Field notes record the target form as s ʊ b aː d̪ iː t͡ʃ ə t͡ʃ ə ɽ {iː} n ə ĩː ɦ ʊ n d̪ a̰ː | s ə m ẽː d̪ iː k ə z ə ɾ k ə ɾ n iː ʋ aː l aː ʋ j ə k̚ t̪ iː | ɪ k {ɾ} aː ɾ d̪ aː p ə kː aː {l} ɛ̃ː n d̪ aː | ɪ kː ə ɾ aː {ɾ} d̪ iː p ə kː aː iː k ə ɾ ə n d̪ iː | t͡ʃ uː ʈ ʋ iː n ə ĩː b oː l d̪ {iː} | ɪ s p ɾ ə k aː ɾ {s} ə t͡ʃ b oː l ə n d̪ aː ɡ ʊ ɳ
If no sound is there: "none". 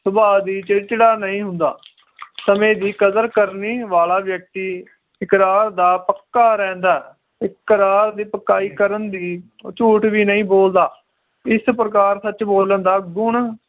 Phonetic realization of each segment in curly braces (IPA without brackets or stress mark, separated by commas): aː, ɾ, ɾ, ɾ, aː, s